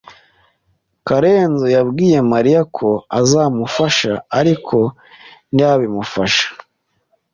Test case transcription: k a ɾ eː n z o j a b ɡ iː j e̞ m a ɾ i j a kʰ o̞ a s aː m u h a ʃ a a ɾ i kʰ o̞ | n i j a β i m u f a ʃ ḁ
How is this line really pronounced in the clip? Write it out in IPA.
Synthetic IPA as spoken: k a ɾ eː n z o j a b ɡ iː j e̞ m a ɾ i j a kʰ o̞ a z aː m u f a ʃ a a ɾ i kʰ o̞ | n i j a β i m u f a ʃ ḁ

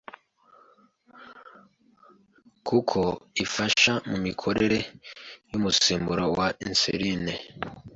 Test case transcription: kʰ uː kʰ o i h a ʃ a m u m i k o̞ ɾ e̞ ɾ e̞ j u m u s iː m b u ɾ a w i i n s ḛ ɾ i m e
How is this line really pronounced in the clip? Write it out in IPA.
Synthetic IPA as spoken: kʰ u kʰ o i f a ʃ a m u m i kʰ o̞ ɾ e̞ ɾ e̞ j u m u s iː m b u ɾ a w a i n s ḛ ɾ i n e

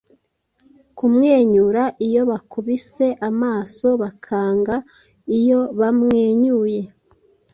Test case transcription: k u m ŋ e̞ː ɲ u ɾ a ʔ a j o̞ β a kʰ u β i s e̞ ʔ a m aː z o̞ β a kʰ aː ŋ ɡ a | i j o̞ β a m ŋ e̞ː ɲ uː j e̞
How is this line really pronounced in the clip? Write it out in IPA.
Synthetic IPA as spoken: k u m ŋ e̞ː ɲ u ɾ a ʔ i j o̞ β a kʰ u β i s e̞ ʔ a m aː s o̞ β a kʰ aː ŋ ɡ a | i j o̞ β a m ŋ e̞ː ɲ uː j e̞

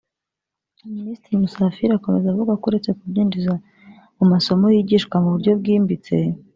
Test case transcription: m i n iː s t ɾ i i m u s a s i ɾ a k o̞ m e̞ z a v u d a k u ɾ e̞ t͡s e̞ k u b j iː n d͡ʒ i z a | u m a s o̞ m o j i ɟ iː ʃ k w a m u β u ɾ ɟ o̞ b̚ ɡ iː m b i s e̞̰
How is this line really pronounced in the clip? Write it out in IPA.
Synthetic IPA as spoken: m i n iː s t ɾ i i m u s a f i ɾ a k o̞ m e̞ z a v u ɡ a k u ɾ e̞ t͡s e̞ k u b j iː n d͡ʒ i z a | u m a s o̞ m o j i ɟ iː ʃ k w a m u β u ɾ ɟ o̞ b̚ ɡ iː m b i t͡s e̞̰

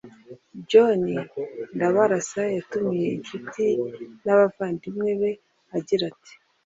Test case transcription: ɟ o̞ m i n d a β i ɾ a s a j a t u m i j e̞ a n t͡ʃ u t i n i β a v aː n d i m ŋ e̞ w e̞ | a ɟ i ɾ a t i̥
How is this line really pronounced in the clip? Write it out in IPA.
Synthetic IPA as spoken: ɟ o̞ n i n d a β a ɾ a s a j a t u m i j e̞ i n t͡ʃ u t i n a β a v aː n d i m ŋ e̞ β e̞ | a ɟ i ɾ a t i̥

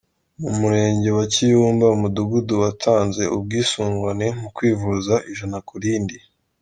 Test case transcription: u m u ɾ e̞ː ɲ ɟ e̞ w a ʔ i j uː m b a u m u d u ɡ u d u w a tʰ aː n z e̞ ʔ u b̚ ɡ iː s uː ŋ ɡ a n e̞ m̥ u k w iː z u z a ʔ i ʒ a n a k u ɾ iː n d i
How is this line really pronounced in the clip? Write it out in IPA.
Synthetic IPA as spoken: u m u ɾ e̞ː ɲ ɟ e̞ w a c i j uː m b a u m u d u ɡ u d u w a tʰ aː n z e̞ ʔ u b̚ ɡ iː s uː ŋ ɡ a n e̞ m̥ u k w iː v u z a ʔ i ʒ a n a k u ɾ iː n d i

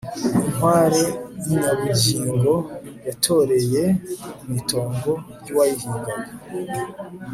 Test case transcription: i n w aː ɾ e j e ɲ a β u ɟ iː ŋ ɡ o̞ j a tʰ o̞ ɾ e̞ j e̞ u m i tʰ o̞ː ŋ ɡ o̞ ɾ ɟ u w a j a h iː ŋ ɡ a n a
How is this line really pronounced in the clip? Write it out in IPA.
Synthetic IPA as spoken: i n w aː ɾ e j i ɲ a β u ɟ iː ŋ ɡ o̞ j a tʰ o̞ ɾ e̞ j e̞ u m i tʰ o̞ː ŋ ɡ o̞ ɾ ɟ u w a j i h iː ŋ ɡ a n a

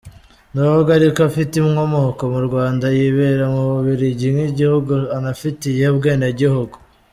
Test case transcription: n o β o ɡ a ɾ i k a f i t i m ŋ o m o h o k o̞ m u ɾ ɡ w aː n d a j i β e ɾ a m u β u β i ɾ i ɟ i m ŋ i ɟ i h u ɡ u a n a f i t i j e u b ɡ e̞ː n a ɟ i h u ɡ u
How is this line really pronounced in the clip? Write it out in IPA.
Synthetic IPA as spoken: n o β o ɡ a ɾ i k a f i t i m ŋ o m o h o k o̞ m u ɾ ɡ w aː n d a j i β e ɾ a m u β u β i ɾ i ɟ i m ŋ i ɟ i h u ɡ u a n a f i t i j e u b ɡ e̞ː n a ɟ i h u ɡ u

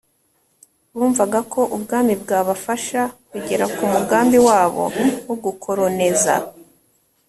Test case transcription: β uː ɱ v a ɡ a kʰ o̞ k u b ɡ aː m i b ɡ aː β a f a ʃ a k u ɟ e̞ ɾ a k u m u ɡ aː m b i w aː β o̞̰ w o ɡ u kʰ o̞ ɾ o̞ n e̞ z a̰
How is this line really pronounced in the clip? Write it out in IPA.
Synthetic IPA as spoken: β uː ɱ v a ɡ a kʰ o̞ ʔ u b ɡ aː m i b ɡ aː β a f a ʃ a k u ɟ e̞ ɾ a k u m u ɡ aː m b i w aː β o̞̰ w o ɡ u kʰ o̞ ɾ o̞ n e̞ z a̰

